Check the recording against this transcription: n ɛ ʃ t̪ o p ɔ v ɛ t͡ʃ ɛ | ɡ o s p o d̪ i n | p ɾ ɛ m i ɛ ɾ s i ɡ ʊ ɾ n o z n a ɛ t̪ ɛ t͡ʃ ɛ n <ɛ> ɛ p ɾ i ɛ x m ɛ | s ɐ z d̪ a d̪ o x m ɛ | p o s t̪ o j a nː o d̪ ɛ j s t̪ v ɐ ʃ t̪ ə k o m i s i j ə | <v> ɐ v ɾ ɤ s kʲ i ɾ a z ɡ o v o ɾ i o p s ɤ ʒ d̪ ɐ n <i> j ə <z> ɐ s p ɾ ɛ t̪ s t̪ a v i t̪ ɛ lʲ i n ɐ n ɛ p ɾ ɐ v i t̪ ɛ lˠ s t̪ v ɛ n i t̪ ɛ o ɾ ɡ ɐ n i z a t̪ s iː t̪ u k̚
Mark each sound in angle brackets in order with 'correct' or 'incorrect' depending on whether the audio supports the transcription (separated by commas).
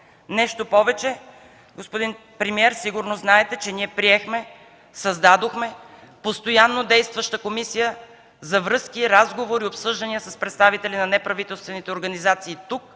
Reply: incorrect, incorrect, correct, incorrect